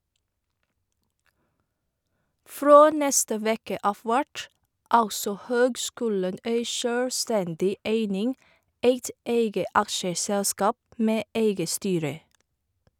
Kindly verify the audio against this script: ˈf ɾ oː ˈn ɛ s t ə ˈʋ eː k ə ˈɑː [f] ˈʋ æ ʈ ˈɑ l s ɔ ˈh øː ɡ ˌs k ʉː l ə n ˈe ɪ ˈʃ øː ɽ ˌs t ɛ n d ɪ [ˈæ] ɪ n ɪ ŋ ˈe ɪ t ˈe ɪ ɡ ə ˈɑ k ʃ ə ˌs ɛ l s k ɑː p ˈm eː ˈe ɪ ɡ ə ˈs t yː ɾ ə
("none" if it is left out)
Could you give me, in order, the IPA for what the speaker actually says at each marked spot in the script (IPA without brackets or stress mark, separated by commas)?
f, e